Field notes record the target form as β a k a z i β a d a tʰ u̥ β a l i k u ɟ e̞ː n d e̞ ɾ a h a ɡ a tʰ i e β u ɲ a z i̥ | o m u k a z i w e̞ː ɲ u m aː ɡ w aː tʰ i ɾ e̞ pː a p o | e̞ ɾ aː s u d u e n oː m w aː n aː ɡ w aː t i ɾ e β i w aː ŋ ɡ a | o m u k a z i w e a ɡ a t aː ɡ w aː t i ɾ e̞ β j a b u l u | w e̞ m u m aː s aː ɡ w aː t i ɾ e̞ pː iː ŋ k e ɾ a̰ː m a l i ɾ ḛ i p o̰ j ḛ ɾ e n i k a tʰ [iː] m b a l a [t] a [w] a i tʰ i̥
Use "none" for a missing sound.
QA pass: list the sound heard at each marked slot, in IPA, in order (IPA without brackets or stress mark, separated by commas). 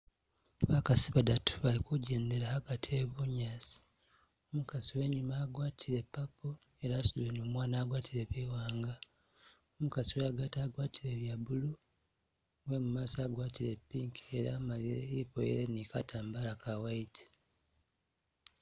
aː, k, w